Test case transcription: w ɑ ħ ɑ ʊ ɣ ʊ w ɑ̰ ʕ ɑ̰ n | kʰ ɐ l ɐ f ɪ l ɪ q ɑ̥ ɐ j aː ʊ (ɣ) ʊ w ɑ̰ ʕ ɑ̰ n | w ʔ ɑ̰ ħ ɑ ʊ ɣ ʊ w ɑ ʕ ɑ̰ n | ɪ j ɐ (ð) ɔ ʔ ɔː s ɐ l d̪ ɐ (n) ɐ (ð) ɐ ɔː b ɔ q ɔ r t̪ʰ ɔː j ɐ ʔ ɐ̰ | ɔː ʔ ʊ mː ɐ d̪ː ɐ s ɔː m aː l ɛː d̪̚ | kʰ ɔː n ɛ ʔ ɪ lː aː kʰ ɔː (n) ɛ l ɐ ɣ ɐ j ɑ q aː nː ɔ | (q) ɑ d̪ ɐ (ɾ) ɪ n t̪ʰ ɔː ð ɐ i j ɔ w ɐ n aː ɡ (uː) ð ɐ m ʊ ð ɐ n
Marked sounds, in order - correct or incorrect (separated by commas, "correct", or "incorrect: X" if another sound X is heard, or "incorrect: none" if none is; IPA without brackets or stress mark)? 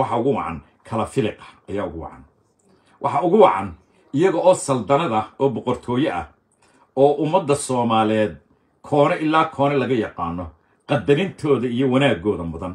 correct, incorrect: ɣ, correct, correct, correct, correct, correct, incorrect: ɔː